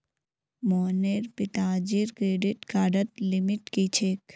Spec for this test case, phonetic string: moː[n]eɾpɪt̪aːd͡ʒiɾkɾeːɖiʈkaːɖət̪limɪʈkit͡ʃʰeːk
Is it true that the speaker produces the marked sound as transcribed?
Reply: yes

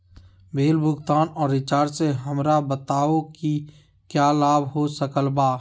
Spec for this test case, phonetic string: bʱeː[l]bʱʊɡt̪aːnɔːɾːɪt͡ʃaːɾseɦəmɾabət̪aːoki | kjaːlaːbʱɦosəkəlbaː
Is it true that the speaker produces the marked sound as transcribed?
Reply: yes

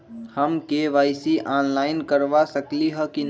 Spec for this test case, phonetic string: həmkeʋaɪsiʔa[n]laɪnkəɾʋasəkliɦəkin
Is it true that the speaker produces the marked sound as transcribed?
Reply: yes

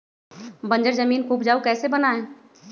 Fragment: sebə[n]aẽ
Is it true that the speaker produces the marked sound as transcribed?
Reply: yes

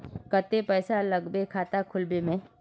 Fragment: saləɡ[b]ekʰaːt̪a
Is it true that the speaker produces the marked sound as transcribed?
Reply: yes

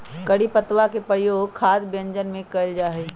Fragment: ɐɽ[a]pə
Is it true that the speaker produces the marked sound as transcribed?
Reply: no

